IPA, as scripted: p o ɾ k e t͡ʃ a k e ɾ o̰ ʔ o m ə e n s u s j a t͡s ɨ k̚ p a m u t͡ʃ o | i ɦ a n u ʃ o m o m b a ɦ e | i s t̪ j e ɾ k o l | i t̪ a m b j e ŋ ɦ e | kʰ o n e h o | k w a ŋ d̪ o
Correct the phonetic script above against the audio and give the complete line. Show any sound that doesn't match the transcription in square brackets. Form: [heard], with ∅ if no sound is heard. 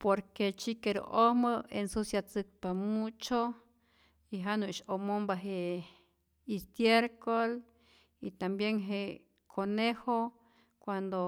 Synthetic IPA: p o ɾ k e t͡ʃ [i] k e ɾ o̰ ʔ o m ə e n s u s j a t͡s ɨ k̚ p a m u t͡ʃ o | i ɦ a n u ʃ o m o m b a ɦ e | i s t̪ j e ɾ k o l | i t̪ a m b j e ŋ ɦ e | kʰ o n e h o | k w a [n] d̪ o